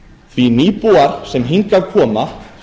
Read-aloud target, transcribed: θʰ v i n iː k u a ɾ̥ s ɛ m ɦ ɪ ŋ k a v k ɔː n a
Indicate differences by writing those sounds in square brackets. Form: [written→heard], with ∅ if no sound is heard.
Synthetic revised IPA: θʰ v i n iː [k→p] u a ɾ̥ s ɛ m ɦ [ɪ→i] ŋ k a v [k→kʰ] ɔː [n→m] a